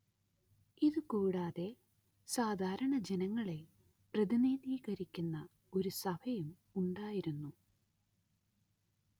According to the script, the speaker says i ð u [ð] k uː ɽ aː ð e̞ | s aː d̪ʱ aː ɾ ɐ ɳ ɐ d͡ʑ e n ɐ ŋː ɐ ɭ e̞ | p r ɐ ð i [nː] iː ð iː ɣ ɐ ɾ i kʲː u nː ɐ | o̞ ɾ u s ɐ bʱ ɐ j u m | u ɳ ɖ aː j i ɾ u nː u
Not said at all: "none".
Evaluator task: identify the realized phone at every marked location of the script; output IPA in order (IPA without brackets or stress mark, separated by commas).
none, n